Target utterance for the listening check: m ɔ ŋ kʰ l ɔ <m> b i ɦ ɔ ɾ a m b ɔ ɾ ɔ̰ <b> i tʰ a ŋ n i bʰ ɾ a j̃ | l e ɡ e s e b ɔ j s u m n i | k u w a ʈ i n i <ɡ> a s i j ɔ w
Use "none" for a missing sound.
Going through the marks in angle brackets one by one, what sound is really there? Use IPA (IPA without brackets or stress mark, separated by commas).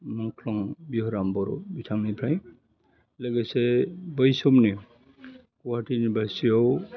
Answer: ŋ, b, b